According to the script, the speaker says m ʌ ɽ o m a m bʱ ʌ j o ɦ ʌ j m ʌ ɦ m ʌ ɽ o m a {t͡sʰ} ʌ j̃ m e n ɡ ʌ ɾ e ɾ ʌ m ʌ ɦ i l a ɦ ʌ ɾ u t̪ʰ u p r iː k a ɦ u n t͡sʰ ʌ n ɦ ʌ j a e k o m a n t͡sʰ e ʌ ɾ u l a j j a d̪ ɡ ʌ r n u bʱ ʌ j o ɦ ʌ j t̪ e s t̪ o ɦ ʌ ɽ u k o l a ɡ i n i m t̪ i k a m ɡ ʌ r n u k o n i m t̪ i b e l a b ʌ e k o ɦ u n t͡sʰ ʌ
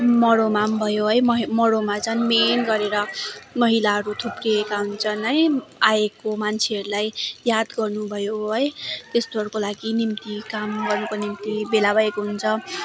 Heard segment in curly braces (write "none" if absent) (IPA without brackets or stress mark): t͡s